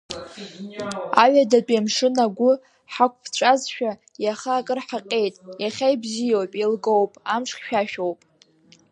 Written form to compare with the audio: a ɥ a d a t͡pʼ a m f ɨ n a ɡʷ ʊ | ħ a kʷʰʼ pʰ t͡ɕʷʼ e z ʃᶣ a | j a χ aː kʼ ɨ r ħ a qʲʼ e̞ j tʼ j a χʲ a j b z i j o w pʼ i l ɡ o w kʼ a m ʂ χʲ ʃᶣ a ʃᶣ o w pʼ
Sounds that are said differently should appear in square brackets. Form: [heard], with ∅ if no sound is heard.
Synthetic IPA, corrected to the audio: a ɥ a d a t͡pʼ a m [ʂ] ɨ n a ɡʷ ʊ | ħ a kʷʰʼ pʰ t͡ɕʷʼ [a] z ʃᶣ a | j a χ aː kʼ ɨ r ħ a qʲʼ e̞ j tʼ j a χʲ a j b z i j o w pʼ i l ɡ o w [pʼ] a m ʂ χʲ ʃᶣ a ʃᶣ o w pʼ